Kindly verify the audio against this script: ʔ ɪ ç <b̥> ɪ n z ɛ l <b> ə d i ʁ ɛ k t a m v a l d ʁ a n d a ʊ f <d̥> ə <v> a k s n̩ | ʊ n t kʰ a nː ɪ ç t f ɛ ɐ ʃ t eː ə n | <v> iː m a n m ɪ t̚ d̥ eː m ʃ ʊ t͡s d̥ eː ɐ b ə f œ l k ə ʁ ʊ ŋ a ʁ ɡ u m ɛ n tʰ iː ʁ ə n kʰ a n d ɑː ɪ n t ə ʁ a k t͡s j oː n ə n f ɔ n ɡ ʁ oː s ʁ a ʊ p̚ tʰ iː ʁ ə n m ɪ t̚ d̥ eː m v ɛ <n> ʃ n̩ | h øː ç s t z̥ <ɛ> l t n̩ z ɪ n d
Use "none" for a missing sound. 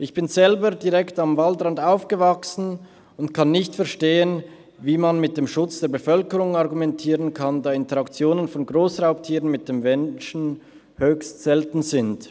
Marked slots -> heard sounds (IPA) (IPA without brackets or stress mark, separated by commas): b̥, b, ɡ̥, v, v, n, ɛ